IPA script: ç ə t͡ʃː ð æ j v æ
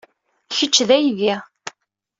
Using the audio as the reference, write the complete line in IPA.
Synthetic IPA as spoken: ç ə t͡ʃː ð æ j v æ